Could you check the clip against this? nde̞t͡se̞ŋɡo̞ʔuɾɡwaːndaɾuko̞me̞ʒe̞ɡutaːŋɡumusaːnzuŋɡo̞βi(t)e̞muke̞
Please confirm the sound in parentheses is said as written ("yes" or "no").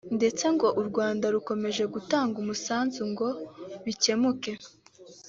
no